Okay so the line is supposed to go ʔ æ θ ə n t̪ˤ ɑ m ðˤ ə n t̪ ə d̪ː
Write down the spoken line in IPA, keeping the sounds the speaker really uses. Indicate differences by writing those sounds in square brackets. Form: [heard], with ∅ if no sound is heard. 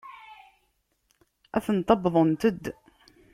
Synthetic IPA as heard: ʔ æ θ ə n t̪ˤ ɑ [b] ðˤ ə n t̪ ə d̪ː